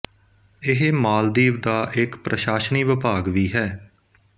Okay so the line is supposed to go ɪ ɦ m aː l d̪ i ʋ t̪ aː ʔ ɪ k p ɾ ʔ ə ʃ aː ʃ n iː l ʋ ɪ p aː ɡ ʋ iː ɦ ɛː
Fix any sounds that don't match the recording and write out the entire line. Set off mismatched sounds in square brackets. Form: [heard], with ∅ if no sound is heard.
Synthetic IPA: ɪ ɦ m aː l d̪ [iː] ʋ [d̪] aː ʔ ɪ k p ɾ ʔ ə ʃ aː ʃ n iː [∅] ʋ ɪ p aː ɡ ʋ iː ɦ ɛː